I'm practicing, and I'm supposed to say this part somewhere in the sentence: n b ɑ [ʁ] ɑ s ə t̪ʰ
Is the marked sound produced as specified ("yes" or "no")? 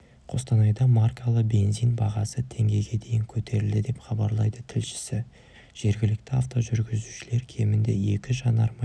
yes